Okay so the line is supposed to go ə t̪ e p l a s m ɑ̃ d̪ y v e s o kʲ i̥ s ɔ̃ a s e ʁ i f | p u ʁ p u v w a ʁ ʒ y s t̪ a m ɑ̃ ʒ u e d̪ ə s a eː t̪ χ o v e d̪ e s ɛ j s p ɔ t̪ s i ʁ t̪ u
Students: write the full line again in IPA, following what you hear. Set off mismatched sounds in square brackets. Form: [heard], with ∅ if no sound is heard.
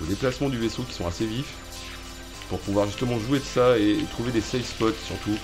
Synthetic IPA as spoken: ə [d̪] e p l a s m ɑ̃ d̪ y v e s o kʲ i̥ s ɔ̃ a s e [v] i f | p u ʁ p u v w a ʁ ʒ y s t̪ [ə] m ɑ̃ ʒ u e d̪ ə s a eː t̪ χ [u] v e d̪ e s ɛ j s p ɔ t̪ s [y] ʁ t̪ u